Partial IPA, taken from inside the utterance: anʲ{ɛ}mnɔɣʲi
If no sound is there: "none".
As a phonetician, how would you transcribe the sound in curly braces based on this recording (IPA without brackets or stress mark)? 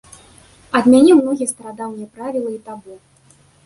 ɛ